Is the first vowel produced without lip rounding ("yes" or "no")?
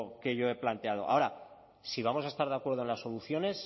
yes